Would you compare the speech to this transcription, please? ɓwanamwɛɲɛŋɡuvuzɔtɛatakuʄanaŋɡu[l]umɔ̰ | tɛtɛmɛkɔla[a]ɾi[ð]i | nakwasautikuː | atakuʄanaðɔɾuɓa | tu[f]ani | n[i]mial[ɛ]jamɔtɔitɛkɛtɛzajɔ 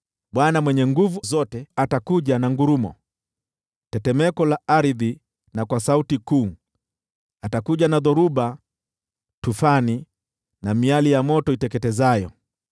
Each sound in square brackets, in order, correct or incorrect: incorrect: ɾ, correct, correct, correct, incorrect: a, incorrect: i

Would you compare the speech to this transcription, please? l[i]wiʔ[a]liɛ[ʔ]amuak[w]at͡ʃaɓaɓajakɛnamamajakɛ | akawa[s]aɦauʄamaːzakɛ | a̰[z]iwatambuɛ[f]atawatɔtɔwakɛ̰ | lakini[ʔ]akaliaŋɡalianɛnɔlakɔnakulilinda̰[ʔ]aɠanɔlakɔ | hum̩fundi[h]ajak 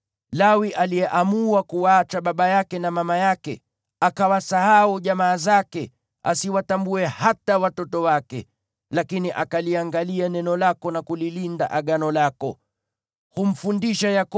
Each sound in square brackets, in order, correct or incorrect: incorrect: a, correct, correct, incorrect: u, correct, incorrect: s, incorrect: h, correct, correct, incorrect: ʃ

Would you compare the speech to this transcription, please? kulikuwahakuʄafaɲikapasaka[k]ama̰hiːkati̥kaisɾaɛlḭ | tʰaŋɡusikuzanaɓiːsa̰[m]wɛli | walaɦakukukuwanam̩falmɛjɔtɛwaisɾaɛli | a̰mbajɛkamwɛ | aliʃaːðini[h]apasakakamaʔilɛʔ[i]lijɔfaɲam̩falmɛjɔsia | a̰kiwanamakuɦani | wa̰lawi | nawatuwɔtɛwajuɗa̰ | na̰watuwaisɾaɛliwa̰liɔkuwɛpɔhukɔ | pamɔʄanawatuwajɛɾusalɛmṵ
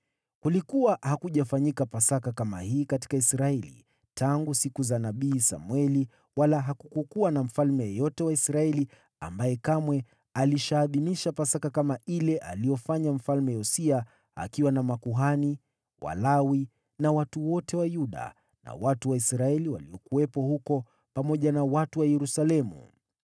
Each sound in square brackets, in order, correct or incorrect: correct, correct, incorrect: ʃ, incorrect: a

